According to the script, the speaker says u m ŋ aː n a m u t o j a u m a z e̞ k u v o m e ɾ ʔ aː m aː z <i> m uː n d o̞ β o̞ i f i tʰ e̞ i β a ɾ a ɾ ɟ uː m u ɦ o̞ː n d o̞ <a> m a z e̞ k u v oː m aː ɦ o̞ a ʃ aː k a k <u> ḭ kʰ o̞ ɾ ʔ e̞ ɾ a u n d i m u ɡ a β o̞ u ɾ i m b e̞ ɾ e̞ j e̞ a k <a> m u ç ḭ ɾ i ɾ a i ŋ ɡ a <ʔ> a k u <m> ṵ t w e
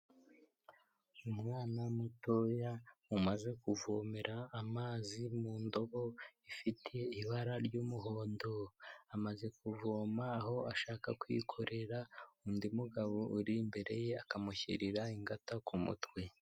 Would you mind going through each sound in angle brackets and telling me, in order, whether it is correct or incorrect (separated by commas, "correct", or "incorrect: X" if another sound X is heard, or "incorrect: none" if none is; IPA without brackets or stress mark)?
correct, correct, incorrect: w, correct, incorrect: t, correct